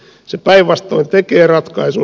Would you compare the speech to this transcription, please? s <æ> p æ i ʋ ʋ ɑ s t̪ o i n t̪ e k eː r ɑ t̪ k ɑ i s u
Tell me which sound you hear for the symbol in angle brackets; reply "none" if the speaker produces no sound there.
e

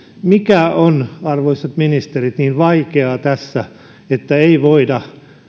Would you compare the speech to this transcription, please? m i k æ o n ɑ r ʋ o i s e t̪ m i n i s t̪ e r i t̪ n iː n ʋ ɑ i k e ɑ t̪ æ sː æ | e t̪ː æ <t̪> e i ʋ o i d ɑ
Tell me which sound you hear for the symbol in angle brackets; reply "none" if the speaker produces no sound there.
none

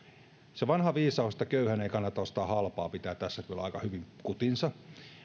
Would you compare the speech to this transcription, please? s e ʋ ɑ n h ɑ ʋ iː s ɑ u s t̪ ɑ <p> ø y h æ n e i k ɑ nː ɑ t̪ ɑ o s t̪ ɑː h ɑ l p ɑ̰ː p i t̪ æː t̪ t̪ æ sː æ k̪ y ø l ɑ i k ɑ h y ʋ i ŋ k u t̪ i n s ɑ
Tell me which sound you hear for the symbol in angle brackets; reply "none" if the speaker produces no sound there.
k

